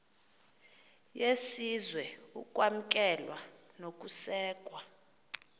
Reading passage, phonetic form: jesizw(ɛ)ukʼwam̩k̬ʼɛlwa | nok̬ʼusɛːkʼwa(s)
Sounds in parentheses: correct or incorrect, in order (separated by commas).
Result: correct, incorrect